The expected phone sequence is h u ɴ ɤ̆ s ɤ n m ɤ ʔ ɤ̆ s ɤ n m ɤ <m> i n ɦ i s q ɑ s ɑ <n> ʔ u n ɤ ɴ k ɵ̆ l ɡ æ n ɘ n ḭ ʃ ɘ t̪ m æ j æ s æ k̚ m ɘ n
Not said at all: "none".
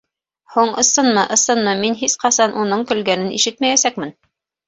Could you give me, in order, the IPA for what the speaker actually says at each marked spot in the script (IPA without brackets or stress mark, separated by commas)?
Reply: m, n